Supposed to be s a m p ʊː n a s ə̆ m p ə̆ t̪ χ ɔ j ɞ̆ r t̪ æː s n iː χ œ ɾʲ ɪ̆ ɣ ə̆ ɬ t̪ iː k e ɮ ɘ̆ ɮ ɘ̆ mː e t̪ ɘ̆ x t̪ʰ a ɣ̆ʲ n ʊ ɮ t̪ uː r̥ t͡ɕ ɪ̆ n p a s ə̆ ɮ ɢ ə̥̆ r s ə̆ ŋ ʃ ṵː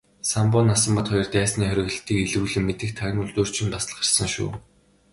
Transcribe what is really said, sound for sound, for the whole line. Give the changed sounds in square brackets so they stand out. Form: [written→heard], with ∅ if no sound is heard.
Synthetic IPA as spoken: s a m p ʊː n a s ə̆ m p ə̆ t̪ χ ɔ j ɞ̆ r t̪ æː s n iː χ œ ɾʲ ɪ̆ ɣ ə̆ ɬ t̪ iː k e ɮ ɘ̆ ɮ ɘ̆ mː e t̪ ɘ̆ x t̪ʰ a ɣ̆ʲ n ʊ ɮ t̪ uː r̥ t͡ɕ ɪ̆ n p a s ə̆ ɮ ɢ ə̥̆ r s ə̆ ŋ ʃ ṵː